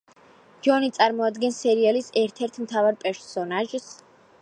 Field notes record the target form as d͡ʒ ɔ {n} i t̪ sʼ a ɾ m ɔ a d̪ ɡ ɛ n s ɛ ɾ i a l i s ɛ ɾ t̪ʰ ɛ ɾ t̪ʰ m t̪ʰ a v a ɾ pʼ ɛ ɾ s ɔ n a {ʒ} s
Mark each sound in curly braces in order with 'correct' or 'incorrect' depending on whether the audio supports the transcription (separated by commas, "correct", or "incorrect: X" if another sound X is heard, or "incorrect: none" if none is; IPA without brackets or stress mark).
correct, correct